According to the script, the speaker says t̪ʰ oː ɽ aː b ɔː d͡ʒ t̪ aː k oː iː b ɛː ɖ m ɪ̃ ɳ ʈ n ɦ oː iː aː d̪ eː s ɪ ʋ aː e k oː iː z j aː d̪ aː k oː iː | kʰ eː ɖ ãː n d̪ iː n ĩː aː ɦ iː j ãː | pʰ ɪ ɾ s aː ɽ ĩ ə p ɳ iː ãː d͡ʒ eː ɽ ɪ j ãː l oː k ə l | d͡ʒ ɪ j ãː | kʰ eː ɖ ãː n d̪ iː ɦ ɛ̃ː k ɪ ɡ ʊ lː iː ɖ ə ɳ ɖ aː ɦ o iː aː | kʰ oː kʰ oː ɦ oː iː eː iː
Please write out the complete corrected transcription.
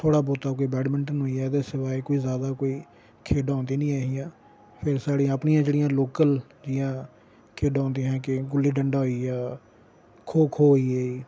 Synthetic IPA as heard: t̪ʰ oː ɽ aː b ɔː t̪ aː k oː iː b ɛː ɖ m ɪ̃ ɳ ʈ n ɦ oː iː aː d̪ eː s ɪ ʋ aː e k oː iː z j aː d̪ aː k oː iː | kʰ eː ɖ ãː n d̪ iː n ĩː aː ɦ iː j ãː | pʰ ɪ ɾ s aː ɽ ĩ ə p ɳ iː ãː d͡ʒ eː ɽ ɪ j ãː l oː k ə l | d͡ʒ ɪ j ãː | kʰ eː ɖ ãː n d̪ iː ɦ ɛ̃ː k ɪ ɡ ʊ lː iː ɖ ə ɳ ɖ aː ɦ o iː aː | kʰ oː kʰ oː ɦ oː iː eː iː

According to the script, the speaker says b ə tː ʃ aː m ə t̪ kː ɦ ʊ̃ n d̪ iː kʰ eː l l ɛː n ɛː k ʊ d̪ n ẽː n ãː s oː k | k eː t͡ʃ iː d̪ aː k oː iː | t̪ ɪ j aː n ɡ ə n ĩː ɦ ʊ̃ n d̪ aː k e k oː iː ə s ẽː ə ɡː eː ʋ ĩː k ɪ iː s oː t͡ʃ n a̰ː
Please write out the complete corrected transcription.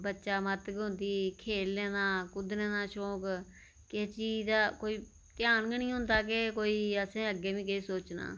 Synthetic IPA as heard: b ə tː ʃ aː m ə t̪ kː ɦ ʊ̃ n d̪ iː kʰ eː l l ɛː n aː k ʊ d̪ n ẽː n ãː ʃ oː k | k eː t͡ʃ iː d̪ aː k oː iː | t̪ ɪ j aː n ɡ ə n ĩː ɦ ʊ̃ n d̪ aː k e k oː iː ə s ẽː ə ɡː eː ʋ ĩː k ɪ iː s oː t͡ʃ n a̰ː

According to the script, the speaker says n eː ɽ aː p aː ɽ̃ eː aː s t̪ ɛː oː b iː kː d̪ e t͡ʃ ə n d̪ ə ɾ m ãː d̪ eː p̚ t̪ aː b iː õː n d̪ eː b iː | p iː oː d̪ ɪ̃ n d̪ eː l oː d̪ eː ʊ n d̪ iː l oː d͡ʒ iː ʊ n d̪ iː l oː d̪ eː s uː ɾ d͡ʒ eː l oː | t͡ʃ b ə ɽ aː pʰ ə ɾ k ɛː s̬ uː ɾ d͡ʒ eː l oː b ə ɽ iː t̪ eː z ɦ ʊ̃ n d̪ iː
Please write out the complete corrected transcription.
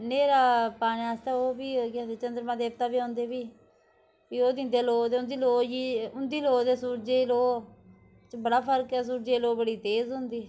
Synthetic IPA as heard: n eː ɾ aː p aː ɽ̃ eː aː s t̪ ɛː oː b iː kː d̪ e t͡ʃ ə n d̪ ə ɾ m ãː d̪ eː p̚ t̪ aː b iː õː n d̪ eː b iː | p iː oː d̪ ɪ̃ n d̪ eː l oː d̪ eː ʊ n d̪ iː l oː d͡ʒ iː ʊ n d̪ iː l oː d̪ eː s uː ɾ d͡ʒ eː l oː | t͡ʃ b ə ɽ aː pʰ ə ɾ k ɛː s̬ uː ɾ d͡ʒ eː l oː b ə ɽ iː t̪ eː z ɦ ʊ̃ n d̪ iː

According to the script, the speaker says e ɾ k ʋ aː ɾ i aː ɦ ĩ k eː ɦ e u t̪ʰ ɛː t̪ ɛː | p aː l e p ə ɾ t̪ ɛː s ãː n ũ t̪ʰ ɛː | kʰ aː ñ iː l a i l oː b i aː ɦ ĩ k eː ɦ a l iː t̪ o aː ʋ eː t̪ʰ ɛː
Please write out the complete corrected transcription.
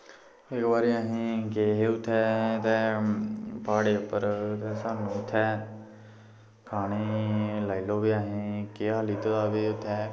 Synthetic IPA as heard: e k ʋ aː ɾ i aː ɦ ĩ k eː ɦ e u t̪ʰ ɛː t̪ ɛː | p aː ɽ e p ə ɾ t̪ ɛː s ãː n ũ t̪ʰ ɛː | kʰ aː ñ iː l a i l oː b i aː ɦ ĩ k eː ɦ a l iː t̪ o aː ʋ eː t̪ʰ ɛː

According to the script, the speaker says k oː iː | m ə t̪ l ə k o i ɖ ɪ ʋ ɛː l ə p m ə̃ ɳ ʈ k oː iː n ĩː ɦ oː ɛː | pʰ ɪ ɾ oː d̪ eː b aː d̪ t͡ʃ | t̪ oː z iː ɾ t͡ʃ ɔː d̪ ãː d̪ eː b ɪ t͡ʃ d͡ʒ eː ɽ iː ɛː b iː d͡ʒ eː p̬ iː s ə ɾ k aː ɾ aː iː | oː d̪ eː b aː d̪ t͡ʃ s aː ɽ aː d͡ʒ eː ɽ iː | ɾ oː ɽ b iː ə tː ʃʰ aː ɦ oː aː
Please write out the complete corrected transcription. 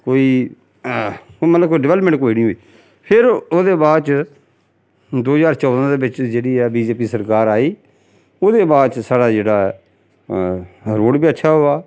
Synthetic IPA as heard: k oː iː | m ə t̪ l ə k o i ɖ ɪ ʋ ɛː l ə p m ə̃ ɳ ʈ k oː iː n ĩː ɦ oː iː | pʰ ɪ ɾ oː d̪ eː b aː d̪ t͡ʃ | d̪ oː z aː ɾ t͡ʃ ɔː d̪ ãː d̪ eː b ɪ t͡ʃ d͡ʒ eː ɽ iː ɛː b iː d͡ʒ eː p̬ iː s ə ɾ k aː ɾ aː iː | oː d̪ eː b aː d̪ t͡ʃ s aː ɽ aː d͡ʒ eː ɽ aː | ɾ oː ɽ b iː ə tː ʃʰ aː ɦ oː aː

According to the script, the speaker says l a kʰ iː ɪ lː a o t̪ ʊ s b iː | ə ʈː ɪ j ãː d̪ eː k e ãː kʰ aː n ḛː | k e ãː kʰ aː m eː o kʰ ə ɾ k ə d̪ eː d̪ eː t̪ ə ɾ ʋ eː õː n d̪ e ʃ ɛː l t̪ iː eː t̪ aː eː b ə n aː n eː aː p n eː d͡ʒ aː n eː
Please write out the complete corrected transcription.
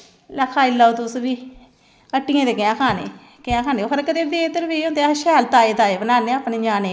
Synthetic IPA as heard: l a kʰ aː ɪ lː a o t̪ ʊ s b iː | ə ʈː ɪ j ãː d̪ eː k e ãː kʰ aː n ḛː | k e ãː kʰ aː n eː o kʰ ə ɾ k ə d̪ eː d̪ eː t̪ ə ɾ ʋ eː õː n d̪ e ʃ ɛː l t̪ aː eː t̪ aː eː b ə n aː n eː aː p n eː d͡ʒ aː n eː

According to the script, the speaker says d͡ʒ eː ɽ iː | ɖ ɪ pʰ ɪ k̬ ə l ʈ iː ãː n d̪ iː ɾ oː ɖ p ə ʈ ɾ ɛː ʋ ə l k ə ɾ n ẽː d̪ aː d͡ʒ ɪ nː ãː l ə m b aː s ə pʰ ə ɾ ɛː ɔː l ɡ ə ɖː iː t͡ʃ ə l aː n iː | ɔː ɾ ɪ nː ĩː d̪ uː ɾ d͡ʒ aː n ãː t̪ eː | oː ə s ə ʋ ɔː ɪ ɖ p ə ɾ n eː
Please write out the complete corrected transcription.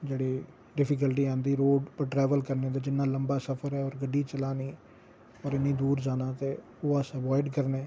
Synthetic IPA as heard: d͡ʒ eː ɽ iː | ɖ ɪ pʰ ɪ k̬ ə l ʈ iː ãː n d̪ iː ɾ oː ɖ p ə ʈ ɾ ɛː ʋ ə l k ə ɾ n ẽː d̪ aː d͡ʒ ɪ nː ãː l ə m b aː s ə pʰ ə ɾ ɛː ɔː ɾ ɡ ə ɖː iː t͡ʃ ə l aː n iː | ɔː ɾ ɪ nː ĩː d̪ uː ɾ d͡ʒ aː n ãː t̪ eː | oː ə s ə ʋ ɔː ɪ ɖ k ə ɾ n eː

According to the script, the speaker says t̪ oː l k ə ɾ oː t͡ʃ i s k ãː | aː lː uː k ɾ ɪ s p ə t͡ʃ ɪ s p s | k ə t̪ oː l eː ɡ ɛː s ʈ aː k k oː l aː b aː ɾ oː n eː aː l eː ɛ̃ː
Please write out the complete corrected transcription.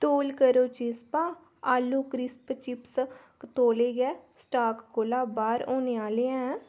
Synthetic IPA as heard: t̪ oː l k ə ɾ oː t͡ʃ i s p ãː | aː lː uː k ɾ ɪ s p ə t͡ʃ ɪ p s | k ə t̪ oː l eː ɡ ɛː s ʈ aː k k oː l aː b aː ɾ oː n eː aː l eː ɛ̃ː

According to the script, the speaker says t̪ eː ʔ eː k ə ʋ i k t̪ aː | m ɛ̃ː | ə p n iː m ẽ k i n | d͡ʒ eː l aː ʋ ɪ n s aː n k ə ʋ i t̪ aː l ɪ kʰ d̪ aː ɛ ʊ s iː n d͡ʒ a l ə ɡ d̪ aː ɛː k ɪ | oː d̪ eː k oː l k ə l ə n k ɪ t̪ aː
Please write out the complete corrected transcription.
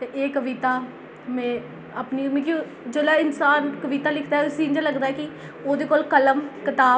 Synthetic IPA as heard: t̪ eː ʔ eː k ə ʋ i t̪ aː | m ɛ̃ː | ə p n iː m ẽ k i | d͡ʒ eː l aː ɪ n s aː n k ə ʋ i t̪ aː l ɪ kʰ d̪ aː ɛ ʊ s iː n d͡ʒ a l ə ɡ d̪ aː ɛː k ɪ | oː d̪ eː k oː l k ə l ə m k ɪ t̪ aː

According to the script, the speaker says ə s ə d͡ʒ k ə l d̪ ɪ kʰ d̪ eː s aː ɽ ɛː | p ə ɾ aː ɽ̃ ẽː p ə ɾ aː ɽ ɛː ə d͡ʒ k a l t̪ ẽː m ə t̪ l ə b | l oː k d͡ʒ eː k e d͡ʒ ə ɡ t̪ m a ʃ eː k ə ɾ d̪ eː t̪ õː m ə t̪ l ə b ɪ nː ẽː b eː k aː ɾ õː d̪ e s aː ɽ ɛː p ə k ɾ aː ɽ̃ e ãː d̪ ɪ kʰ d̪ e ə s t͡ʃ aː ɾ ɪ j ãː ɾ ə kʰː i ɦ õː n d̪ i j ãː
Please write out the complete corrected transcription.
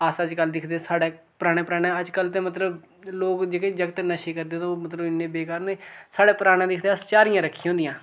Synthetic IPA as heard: ə s ə d͡ʒ k ə l d̪ ɪ kʰ d̪ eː s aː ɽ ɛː | p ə ɾ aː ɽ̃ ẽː p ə ɾ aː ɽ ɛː ə d͡ʒ k ə l t̪ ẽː m ə t̪ l ə b | l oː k d͡ʒ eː k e d͡ʒ ə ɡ t̪ n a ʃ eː k ə ɾ d̪ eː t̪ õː m ə t̪ l ə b ɪ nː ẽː b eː k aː ɾ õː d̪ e s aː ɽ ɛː p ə ɾ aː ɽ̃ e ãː d̪ ɪ kʰ d̪ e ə s t͡ʃ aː ɾ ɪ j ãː ɾ ə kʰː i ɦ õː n d̪ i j ãː

